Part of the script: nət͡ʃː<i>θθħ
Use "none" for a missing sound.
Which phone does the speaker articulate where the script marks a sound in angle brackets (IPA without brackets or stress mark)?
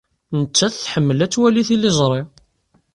æ